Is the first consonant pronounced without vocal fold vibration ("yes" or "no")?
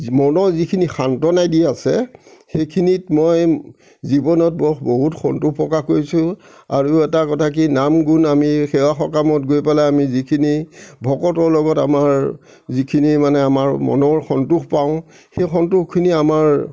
no